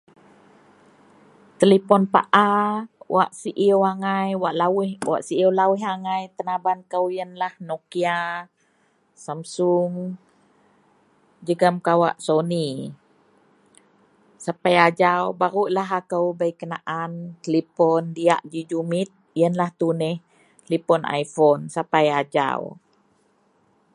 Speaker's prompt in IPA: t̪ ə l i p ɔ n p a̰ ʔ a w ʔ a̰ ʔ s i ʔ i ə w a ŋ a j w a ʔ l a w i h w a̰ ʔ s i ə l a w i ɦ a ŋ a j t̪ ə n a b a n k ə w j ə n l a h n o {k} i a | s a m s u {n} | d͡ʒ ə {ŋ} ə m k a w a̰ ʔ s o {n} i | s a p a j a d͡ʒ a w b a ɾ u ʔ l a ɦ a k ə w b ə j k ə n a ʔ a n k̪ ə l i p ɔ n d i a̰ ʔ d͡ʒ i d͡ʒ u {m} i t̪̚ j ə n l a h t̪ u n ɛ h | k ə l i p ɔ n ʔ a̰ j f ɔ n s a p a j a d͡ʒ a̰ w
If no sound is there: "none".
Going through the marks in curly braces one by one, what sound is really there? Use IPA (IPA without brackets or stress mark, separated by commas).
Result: k, ŋ, ɡ, n, m